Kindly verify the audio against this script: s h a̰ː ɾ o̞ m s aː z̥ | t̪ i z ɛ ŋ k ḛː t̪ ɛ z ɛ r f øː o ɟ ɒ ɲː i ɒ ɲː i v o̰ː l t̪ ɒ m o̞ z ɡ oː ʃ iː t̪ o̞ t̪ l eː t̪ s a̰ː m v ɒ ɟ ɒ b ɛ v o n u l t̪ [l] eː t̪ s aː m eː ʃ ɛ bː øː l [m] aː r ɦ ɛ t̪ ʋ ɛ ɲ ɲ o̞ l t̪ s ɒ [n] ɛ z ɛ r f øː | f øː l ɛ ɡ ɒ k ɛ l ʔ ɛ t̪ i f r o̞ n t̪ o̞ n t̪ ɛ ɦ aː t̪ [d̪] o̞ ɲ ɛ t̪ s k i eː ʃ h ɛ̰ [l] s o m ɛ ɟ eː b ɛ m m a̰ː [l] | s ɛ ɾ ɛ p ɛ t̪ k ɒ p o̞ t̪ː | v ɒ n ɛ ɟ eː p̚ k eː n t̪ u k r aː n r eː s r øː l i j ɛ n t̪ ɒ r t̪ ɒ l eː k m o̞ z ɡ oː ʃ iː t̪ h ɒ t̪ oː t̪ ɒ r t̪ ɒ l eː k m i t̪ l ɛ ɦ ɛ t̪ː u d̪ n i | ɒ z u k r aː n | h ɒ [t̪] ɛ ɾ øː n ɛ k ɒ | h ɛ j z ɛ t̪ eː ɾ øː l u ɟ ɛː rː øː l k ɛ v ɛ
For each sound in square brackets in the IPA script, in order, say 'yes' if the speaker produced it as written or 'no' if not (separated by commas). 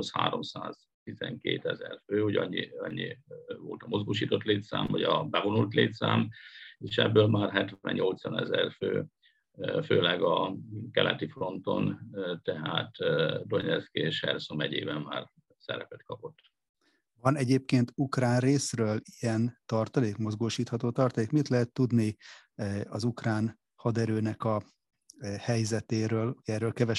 yes, yes, yes, yes, no, no, no